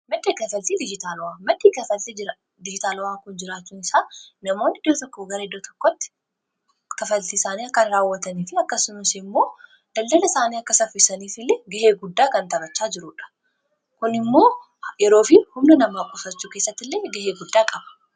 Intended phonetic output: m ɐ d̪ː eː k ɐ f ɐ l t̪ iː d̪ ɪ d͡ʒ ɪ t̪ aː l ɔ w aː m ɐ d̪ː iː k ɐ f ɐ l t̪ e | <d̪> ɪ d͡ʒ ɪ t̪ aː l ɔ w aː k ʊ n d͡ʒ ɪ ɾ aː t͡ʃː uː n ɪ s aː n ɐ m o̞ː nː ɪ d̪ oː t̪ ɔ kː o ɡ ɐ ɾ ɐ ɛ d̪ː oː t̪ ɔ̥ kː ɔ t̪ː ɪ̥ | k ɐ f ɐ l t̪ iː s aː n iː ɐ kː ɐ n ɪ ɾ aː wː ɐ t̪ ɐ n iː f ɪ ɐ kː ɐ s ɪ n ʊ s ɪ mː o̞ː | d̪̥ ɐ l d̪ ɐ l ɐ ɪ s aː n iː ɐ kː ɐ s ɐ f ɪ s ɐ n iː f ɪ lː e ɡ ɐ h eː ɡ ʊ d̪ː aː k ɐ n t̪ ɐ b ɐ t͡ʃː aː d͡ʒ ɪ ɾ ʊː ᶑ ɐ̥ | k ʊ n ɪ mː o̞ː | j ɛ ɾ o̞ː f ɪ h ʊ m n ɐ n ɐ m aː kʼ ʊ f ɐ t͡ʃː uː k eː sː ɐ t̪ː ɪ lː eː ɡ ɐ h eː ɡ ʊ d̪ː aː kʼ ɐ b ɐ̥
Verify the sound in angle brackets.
correct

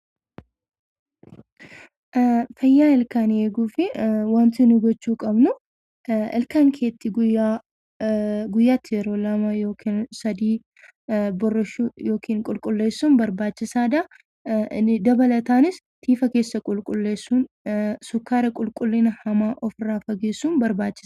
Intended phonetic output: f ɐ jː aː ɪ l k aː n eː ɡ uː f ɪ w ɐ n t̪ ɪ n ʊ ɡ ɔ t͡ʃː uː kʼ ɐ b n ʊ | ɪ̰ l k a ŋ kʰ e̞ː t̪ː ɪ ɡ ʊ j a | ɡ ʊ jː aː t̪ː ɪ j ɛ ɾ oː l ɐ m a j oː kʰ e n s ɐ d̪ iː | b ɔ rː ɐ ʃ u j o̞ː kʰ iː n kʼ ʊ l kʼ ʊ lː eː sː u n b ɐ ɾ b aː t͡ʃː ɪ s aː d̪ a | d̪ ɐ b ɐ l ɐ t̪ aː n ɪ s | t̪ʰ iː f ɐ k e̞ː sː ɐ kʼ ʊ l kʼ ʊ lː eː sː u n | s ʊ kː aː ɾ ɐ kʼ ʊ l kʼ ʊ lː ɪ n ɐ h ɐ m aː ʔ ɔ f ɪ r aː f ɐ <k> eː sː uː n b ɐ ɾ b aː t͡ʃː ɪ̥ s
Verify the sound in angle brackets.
incorrect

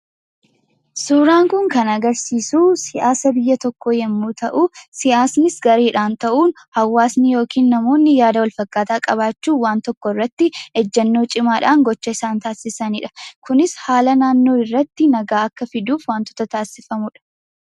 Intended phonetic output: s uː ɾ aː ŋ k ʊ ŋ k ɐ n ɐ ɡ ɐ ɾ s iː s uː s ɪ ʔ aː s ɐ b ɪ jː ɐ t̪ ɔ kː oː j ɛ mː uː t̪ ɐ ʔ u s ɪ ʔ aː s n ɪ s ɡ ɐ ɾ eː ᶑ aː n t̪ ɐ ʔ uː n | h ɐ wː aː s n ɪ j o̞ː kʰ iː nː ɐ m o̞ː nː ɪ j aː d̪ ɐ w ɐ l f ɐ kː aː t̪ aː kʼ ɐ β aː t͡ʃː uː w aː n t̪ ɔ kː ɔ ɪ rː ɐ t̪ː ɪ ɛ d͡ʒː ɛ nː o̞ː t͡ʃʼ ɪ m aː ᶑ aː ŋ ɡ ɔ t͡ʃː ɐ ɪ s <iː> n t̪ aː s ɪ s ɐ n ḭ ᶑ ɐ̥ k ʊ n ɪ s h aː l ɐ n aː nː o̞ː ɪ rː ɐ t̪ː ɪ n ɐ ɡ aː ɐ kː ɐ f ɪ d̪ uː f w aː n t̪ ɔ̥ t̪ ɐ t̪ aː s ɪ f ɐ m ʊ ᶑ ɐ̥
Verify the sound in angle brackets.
incorrect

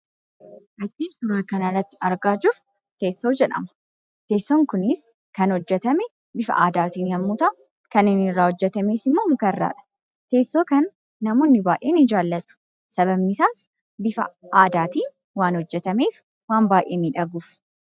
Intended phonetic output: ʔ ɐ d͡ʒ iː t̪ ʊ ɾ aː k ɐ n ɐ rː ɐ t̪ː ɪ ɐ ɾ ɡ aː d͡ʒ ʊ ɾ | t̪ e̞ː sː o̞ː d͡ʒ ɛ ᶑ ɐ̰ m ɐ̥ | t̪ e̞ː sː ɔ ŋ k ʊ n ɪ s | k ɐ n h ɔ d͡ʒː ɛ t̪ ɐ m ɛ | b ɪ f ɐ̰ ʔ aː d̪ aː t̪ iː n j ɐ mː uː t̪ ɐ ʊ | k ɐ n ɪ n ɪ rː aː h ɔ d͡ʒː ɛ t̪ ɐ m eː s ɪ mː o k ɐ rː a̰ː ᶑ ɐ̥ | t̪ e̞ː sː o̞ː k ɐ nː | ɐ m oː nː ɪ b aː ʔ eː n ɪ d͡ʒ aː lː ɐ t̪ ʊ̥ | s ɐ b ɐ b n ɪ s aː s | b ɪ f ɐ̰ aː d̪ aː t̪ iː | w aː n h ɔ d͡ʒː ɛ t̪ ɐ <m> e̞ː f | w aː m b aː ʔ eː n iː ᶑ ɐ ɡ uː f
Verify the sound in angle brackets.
correct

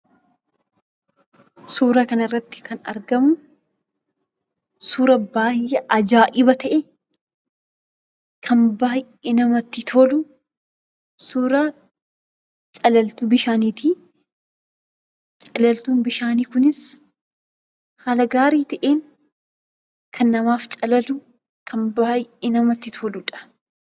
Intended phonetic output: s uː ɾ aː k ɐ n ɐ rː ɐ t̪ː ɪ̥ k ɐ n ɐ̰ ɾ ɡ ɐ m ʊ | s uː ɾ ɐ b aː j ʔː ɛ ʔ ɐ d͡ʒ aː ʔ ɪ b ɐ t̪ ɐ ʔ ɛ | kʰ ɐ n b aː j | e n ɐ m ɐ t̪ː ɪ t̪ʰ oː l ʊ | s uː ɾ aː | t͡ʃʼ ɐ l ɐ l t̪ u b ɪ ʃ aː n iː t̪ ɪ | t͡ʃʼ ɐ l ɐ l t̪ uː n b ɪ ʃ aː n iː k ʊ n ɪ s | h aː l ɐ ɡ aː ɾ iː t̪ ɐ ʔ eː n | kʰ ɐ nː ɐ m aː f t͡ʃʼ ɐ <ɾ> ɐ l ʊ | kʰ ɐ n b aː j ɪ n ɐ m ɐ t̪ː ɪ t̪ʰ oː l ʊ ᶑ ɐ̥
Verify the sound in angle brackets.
incorrect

